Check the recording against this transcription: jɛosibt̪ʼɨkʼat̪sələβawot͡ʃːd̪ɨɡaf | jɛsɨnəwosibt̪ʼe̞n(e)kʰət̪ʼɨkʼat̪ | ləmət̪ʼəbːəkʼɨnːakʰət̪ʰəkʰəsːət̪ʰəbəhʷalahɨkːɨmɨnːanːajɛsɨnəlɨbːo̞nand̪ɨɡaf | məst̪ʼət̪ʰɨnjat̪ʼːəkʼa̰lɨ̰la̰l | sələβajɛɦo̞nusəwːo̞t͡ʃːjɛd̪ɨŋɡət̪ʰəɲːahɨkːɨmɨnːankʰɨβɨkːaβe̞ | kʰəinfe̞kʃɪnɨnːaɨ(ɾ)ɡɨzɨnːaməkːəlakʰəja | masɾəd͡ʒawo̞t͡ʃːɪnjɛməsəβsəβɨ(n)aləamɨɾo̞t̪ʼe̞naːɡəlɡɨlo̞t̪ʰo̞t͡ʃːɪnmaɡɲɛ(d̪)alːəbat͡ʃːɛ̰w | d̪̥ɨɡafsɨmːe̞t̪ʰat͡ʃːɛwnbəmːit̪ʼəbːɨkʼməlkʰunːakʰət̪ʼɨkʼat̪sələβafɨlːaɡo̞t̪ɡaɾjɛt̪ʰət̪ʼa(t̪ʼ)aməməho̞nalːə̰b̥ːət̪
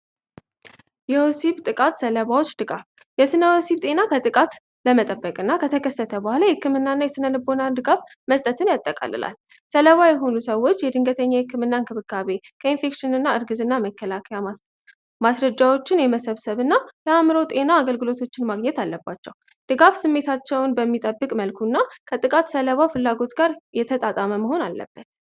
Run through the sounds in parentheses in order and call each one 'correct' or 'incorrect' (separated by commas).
incorrect, correct, incorrect, incorrect, correct